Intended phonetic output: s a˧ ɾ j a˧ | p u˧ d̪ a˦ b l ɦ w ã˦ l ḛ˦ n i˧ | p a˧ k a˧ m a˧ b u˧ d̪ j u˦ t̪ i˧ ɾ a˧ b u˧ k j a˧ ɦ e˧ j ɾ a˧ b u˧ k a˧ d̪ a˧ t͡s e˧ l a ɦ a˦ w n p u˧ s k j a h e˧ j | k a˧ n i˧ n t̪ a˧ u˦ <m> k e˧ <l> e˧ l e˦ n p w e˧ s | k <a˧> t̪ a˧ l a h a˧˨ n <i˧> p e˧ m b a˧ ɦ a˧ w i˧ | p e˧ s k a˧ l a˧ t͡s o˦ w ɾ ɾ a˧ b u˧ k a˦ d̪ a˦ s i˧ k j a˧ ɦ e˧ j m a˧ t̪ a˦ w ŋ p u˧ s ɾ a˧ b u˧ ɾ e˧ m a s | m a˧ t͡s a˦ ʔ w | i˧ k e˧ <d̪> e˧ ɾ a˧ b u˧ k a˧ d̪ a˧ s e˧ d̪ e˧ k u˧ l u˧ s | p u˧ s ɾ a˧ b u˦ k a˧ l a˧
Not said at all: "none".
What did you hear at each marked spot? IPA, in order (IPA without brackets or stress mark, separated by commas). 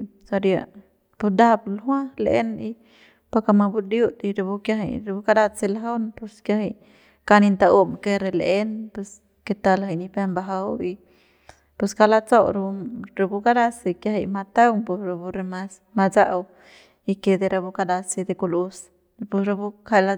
m, ɾ, e˧, i˧, d̪